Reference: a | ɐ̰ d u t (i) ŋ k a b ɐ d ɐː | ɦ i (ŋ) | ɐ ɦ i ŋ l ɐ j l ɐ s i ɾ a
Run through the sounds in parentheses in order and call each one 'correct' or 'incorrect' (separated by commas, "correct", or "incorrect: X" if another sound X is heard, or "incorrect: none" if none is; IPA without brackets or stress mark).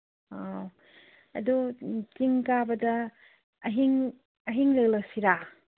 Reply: correct, correct